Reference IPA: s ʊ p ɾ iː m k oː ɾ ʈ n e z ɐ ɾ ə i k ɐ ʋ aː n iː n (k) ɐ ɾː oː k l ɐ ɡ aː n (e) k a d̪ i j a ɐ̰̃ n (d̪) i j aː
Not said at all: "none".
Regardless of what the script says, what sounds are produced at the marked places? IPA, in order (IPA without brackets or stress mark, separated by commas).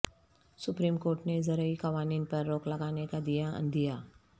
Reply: p, e, d̪